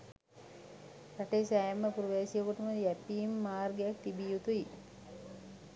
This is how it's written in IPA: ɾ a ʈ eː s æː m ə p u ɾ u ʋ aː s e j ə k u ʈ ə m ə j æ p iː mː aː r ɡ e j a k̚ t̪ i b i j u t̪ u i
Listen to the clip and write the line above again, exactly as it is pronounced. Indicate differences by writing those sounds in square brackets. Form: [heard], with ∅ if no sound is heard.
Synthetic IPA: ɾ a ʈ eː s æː m ə p u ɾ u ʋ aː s [i] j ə k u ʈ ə m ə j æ p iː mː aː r ɡ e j a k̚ t̪ i b i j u t̪ u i